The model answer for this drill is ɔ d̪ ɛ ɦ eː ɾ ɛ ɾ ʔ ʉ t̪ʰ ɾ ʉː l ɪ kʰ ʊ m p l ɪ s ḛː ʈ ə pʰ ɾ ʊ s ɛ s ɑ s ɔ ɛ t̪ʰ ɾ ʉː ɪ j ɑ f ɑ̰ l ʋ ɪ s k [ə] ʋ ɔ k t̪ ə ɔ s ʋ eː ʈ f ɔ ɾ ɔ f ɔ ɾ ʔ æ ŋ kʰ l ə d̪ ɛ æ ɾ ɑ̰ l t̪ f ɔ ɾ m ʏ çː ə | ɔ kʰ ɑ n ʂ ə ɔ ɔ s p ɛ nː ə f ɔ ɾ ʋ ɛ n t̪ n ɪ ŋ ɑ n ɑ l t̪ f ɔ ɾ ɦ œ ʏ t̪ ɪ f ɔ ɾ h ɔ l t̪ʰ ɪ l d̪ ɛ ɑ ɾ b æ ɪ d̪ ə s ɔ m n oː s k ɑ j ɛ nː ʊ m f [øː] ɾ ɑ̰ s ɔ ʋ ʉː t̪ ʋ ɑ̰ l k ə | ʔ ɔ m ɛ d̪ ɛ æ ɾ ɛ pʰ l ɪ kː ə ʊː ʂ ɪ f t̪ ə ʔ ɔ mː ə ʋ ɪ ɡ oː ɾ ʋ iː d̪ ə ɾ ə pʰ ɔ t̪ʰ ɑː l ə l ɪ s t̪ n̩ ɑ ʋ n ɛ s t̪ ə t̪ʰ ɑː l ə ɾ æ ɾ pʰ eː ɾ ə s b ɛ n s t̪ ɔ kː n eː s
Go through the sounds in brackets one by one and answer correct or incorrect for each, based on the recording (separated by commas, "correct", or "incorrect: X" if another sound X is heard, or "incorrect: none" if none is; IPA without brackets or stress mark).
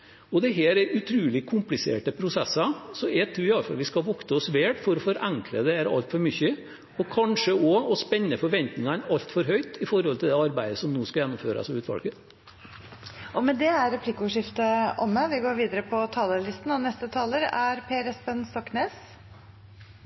incorrect: ɑ, correct